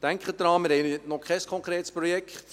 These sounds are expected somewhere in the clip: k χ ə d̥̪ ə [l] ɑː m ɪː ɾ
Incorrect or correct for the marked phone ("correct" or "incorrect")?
incorrect